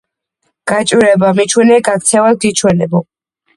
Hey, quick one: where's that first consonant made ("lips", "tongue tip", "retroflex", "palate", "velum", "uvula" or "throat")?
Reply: velum